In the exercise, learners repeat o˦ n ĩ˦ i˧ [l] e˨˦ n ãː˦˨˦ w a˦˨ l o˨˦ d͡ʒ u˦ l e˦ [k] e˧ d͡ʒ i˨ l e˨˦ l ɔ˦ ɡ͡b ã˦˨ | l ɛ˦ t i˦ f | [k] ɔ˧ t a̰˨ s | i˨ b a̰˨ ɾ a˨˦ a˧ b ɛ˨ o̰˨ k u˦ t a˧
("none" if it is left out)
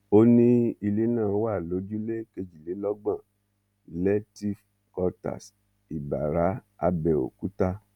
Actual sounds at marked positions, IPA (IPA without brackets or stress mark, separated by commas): l, k, k